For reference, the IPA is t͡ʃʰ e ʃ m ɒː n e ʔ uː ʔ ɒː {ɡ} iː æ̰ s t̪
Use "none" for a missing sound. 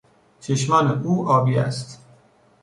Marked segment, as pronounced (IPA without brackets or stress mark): b